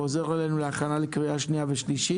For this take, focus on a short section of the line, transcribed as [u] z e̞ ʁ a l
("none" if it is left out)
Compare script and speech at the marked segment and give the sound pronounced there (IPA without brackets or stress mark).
o